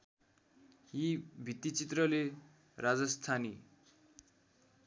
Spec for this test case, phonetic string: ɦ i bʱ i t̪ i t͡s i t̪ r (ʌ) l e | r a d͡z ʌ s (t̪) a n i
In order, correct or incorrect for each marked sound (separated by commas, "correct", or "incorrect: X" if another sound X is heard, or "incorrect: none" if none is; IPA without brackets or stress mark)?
correct, incorrect: t̪ʰ